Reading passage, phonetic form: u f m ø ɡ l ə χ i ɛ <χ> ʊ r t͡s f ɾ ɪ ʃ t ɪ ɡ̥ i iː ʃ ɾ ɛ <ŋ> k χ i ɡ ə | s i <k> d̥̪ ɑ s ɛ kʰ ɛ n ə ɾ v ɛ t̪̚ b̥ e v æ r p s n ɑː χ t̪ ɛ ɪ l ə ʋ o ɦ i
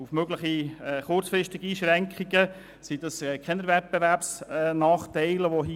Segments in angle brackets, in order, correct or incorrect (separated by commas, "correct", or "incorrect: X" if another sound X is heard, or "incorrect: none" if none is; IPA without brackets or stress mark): correct, correct, incorrect: none